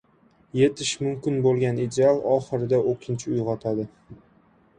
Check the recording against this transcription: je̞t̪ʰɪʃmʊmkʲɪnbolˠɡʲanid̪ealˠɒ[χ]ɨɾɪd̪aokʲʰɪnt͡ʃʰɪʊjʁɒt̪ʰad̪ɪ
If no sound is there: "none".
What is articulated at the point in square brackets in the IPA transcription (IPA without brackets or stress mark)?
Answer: χ